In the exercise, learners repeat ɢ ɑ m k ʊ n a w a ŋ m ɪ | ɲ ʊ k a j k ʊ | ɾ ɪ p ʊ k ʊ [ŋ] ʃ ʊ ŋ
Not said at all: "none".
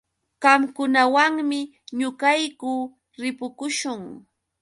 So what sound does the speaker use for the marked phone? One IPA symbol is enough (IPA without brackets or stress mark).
none